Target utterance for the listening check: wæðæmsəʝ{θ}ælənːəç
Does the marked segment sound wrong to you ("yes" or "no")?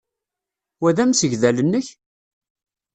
yes